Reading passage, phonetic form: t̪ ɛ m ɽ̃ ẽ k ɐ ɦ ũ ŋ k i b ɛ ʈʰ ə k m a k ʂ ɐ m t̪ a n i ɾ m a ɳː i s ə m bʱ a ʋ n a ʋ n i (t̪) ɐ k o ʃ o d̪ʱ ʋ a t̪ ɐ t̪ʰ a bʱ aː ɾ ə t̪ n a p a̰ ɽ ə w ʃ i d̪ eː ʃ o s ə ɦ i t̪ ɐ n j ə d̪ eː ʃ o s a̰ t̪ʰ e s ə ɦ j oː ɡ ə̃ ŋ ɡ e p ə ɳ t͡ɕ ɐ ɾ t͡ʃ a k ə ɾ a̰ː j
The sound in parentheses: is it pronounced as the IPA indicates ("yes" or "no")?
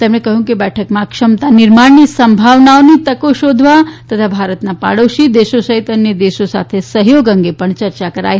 yes